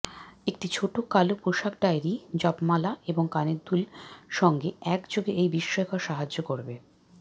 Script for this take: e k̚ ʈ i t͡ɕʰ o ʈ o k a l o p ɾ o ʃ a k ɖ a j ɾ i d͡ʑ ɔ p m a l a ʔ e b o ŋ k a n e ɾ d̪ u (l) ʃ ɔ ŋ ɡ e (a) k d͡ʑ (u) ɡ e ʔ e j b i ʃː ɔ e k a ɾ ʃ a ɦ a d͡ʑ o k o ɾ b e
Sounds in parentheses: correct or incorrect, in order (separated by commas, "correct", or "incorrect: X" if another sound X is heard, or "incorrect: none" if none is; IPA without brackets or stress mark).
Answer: correct, incorrect: ɛ, incorrect: o